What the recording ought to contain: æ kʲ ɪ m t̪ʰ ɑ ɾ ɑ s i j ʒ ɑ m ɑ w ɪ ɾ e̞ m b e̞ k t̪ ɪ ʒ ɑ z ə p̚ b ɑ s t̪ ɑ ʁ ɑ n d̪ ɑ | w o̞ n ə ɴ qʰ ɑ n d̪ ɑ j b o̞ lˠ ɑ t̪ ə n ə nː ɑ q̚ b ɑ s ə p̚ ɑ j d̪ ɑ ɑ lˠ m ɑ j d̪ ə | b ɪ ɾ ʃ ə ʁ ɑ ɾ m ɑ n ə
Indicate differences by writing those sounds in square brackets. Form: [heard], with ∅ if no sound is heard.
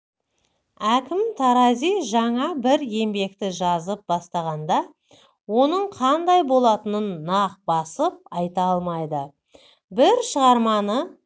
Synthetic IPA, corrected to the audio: æ kʲ ɪ m t̪ʰ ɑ ɾ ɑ [z] i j ʒ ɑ [ɴ] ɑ [b] ɪ ɾ e̞ m b e̞ k t̪ ɪ ʒ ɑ z ə p̚ b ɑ s t̪ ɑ ʁ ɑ n d̪ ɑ | w o̞ n ə ɴ qʰ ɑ n d̪ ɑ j b o̞ lˠ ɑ t̪ ə n ə nː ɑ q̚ b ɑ s ə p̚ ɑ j [t̪] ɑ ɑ lˠ m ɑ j d̪ ə | b ɪ ɾ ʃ ə ʁ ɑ ɾ m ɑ n ə